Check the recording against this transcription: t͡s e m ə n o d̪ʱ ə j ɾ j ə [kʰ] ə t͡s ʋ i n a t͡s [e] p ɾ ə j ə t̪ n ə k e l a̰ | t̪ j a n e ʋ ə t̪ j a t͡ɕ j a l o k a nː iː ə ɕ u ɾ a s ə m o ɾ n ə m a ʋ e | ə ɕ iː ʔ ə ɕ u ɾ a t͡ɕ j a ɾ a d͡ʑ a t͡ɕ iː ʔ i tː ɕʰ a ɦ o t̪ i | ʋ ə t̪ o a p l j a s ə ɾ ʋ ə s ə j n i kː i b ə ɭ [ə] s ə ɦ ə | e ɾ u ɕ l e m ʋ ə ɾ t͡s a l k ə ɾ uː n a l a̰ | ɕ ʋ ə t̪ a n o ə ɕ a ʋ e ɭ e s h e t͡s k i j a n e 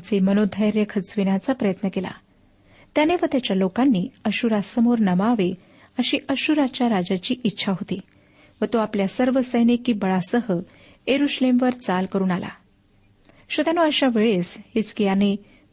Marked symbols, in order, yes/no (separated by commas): yes, no, no